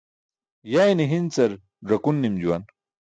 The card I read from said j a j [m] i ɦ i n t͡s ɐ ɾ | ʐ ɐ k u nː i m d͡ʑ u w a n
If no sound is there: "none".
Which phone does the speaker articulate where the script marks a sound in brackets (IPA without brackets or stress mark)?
n